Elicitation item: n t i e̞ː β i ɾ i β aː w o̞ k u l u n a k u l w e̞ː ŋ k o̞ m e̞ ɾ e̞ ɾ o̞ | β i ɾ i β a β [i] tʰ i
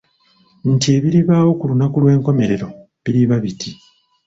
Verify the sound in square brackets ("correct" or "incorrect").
correct